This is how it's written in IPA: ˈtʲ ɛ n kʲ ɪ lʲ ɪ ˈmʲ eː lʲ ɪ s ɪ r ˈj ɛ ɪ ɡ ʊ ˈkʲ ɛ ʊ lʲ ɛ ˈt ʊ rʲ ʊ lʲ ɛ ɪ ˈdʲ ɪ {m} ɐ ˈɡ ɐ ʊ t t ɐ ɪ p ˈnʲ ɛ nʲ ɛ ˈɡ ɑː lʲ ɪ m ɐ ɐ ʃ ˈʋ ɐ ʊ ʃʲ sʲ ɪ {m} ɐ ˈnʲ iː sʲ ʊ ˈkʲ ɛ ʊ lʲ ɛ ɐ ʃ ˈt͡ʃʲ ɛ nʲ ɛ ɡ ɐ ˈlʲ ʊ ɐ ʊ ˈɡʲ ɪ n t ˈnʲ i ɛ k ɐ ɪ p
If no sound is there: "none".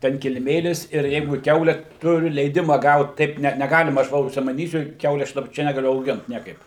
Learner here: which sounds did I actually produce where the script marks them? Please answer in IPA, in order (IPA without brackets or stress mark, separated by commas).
m, m